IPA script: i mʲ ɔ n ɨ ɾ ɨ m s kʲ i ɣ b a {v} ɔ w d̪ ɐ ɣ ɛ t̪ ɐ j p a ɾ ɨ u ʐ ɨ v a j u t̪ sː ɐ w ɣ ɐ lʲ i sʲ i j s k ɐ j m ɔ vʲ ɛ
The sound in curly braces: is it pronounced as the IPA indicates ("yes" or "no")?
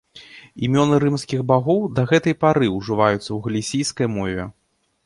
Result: no